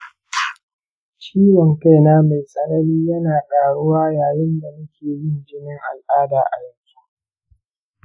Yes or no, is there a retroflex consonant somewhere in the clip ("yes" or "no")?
yes